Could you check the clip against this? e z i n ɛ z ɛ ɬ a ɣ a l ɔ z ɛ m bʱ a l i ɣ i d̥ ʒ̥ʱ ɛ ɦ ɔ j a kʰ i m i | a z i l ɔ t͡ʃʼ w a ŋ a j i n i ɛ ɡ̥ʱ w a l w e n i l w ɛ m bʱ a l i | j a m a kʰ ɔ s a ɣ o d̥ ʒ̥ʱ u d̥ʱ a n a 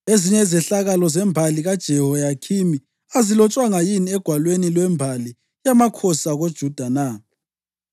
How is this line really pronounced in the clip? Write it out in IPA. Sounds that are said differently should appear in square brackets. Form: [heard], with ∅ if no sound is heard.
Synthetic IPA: e z i [ɲ] ɛ z ɛ ɬ a ɣ a l ɔ z ɛ m bʱ a l i ɣ [a] d̥ ʒ̥ʱ ɛ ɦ ɔ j a kʰ i m i | a z i l ɔ t͡ʃʼ w a ŋ a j i n i ɛ ɡ̥ʱ w a l w e n i l w ɛ m bʱ a l i | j a m a kʰ ɔ s a ɣ o d̥ ʒ̥ʱ u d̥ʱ a n a